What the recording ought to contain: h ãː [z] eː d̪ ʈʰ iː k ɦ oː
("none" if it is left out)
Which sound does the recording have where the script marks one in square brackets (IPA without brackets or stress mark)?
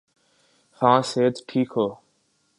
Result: s